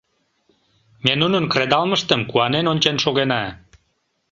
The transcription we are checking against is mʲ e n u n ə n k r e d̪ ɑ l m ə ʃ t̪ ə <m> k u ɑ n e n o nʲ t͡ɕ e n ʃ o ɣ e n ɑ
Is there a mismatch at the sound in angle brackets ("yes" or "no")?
no